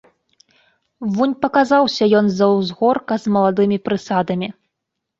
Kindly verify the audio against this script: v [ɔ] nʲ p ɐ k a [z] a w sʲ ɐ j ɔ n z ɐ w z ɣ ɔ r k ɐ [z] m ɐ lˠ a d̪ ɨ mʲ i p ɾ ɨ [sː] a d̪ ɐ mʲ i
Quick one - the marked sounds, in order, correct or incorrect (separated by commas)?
incorrect, correct, correct, incorrect